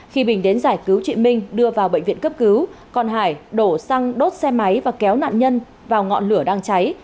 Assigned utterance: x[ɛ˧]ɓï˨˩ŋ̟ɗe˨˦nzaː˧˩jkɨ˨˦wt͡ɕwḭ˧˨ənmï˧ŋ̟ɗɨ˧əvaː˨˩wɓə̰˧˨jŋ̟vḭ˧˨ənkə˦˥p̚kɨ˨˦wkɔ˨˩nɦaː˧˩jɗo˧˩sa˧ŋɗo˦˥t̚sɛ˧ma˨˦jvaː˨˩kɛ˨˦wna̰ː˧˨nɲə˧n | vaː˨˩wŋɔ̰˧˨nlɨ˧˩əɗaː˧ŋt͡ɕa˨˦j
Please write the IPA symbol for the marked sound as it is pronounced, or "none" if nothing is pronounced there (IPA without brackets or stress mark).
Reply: i˧